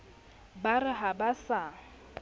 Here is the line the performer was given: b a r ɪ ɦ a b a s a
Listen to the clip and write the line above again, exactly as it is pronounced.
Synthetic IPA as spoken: b a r ɪ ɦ a b a s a